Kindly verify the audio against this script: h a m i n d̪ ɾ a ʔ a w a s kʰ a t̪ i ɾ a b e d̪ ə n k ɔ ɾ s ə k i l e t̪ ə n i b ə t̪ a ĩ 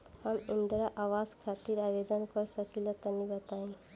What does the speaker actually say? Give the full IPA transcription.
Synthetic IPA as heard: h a m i n d̪ ɾ a ʔ a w a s kʰ a t̪ i ɾ a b e d̪ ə n k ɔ ɾ s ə k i l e t̪ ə n i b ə t̪ a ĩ